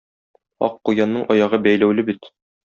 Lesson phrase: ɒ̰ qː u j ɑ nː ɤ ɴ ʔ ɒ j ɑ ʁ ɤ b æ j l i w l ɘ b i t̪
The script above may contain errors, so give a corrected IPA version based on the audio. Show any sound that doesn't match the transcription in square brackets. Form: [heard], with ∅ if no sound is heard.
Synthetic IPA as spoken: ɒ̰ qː u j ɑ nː ɤ ɴ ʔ ɒ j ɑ ʁ ɤ b æ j l [æ] w l ɘ b i t̪